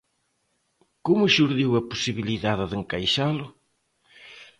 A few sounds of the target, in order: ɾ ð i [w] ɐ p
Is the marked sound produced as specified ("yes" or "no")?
yes